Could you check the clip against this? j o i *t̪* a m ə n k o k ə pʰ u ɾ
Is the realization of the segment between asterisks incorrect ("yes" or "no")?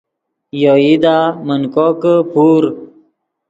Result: yes